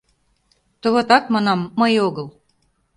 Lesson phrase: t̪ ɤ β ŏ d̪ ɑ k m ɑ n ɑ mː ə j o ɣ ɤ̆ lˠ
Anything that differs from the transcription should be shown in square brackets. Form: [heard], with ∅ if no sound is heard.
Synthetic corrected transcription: t̪ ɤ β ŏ [t̪] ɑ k m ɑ n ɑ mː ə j o ɣ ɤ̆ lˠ